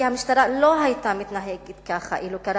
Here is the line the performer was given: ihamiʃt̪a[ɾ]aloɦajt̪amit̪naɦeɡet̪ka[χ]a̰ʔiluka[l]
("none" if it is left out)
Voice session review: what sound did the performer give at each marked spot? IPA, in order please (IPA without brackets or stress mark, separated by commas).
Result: ɾ, χ, ɾ